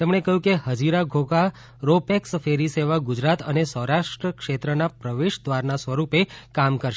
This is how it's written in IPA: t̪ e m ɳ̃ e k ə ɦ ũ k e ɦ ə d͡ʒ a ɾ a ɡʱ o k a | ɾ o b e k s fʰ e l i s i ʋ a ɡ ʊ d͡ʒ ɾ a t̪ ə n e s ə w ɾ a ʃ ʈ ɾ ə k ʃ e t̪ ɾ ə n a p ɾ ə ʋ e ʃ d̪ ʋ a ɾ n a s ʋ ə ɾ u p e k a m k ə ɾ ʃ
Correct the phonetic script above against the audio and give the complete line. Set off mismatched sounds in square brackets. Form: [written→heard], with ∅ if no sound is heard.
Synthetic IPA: t̪ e m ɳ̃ e k ə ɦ ũ k e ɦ ə d͡ʒ [a→i] ɾ a ɡʱ o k a | ɾ o [b→p] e k s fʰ e [l→ɾ] i s [i→e] ʋ a ɡ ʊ d͡ʒ ɾ a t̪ ə n e s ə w ɾ a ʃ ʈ ɾ ə k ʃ e t̪ ɾ ə n a p ɾ ə ʋ e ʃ d̪ ʋ a ɾ n a s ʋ ə ɾ u p e k a m k ə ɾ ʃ